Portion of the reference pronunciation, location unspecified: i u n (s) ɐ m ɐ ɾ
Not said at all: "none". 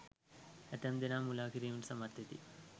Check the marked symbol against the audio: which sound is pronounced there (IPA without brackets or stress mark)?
s